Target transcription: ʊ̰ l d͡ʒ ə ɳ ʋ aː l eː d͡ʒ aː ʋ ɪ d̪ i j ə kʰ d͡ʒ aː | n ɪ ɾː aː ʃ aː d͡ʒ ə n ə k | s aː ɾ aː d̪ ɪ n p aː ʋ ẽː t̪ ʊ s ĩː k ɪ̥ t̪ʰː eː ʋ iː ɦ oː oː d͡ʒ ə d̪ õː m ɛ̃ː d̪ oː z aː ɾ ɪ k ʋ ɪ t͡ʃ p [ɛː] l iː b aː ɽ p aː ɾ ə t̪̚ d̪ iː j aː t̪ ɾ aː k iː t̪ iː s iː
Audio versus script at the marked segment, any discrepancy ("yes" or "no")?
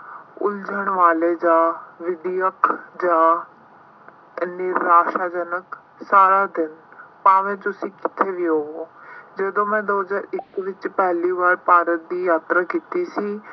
no